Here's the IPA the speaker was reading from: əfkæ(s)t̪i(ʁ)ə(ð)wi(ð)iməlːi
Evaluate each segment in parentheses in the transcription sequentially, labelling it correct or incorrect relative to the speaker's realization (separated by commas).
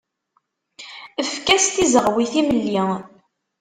correct, incorrect, incorrect, incorrect